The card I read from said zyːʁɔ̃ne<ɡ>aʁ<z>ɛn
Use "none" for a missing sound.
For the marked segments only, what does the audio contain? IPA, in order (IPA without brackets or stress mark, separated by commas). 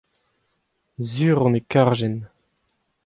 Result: k, ʒ